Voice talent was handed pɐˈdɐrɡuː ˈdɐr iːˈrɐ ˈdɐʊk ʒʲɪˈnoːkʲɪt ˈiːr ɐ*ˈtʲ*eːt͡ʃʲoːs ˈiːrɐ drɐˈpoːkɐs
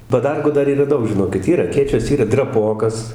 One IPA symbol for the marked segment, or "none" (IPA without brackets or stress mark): kʲ